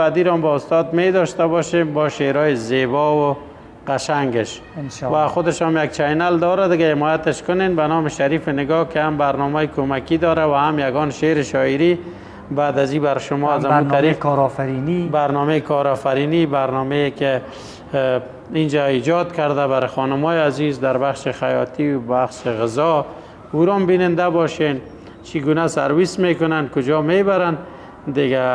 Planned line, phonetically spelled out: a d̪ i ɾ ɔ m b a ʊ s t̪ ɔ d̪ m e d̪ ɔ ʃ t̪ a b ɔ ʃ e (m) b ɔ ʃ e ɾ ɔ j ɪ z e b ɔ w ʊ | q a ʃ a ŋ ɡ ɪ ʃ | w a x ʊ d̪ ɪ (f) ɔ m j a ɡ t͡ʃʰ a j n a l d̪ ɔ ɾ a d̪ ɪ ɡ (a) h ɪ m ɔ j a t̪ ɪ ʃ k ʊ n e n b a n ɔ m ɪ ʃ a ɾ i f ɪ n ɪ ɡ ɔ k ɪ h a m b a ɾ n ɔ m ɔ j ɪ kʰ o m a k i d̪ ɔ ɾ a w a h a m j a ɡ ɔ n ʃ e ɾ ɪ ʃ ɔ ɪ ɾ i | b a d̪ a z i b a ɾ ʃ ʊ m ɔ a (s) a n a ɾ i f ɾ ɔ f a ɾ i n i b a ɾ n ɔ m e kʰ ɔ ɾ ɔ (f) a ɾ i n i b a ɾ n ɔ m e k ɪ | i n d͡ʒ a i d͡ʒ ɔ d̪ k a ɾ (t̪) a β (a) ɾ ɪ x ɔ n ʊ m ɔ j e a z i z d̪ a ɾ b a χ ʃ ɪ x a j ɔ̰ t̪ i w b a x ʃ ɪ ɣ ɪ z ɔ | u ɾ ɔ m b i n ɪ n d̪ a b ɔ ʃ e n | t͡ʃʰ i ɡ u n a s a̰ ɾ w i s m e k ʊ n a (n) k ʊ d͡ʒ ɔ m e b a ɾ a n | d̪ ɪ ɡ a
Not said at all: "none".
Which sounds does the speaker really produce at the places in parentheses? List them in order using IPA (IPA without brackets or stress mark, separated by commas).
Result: m, ʃ, a, z, f, d̪, a, n